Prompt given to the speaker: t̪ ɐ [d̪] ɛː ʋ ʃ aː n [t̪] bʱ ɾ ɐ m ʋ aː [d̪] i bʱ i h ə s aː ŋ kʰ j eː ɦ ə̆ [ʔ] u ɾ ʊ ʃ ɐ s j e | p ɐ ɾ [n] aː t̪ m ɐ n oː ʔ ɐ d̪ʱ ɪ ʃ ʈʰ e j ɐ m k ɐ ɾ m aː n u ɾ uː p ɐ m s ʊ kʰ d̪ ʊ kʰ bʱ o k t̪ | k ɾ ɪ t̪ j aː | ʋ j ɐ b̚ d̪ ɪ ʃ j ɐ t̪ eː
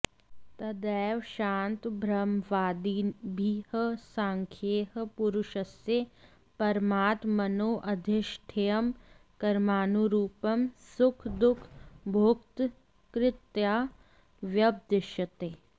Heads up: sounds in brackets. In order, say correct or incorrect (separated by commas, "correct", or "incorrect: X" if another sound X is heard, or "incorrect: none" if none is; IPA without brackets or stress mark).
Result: correct, correct, correct, incorrect: p, incorrect: m